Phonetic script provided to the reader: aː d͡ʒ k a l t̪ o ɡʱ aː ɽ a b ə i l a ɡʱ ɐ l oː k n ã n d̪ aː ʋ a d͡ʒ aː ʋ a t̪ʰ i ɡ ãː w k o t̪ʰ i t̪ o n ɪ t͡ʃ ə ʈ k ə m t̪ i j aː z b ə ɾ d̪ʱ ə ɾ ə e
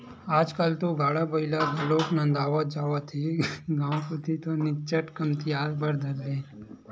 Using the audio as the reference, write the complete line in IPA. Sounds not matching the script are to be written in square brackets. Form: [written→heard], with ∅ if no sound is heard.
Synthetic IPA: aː d͡ʒ k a l t̪ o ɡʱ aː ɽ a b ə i l a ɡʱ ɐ l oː k n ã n d̪ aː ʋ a d͡ʒ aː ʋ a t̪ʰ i ɡ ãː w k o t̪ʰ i t̪ o n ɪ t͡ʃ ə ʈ k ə m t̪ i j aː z b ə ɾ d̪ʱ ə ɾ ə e